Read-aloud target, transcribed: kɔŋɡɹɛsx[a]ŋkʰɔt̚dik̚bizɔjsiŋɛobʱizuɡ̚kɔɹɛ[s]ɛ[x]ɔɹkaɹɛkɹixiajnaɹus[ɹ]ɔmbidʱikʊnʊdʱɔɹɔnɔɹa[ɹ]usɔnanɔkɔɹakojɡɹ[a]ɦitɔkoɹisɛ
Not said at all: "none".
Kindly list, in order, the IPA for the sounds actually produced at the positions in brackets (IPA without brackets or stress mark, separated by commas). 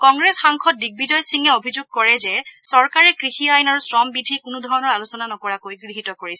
a, z, s, ɹ, l, i